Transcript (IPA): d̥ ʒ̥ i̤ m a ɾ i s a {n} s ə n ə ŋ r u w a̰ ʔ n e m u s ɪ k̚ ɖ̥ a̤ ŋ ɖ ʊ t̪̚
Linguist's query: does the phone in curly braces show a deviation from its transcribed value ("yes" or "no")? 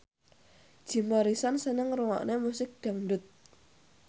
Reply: no